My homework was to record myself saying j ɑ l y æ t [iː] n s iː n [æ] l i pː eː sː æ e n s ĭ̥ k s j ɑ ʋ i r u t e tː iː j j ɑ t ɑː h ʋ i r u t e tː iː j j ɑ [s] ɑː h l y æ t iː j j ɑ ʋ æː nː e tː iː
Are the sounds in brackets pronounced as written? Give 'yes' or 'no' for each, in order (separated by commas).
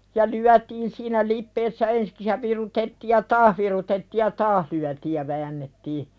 yes, yes, no